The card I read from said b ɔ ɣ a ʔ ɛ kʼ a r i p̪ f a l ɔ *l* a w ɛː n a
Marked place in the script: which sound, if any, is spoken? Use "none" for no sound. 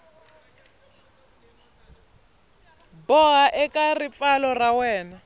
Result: r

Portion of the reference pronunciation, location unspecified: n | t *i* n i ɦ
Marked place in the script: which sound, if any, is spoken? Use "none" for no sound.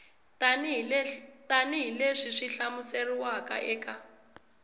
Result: a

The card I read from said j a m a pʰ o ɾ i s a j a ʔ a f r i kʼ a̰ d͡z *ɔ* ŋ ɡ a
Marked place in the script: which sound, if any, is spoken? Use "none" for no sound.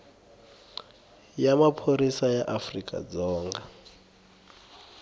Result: ɔː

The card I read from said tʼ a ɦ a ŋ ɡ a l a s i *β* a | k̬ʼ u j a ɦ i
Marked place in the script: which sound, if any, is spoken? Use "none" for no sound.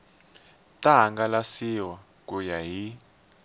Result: w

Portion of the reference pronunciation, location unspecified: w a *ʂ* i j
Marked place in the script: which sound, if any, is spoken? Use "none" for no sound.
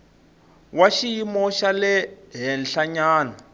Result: ʃ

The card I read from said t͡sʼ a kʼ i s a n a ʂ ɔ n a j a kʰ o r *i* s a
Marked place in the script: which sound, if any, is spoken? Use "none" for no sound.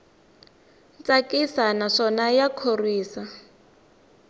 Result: iː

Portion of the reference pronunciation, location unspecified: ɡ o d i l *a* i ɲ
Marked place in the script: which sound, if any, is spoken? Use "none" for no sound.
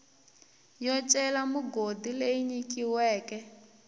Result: e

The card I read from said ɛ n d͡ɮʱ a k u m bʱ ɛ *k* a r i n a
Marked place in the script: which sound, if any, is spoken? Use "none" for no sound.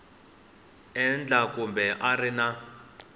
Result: ʔ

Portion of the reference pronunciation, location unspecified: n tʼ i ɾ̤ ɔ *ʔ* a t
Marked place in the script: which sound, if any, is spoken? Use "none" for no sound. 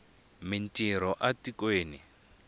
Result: ʔ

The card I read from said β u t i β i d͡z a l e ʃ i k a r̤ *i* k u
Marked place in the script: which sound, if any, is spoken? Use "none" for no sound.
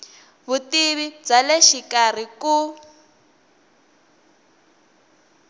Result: i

